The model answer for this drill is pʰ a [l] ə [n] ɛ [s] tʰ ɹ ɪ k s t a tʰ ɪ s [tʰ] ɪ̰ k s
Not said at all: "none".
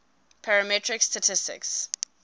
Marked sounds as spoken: ɹ, m, none, t

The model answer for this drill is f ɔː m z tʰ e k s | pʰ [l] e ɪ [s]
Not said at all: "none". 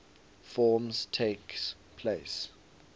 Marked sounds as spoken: l, s

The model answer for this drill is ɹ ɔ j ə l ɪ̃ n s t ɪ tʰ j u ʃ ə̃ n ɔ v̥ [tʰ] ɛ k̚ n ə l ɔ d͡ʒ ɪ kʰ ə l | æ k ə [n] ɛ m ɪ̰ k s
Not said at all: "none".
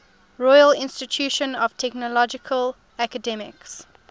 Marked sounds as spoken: tʰ, d

